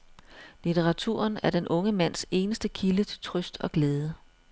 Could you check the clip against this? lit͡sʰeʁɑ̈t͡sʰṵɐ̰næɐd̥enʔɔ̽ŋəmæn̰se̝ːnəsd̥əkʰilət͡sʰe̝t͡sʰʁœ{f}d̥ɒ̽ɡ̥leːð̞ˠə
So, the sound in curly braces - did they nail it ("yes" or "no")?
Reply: no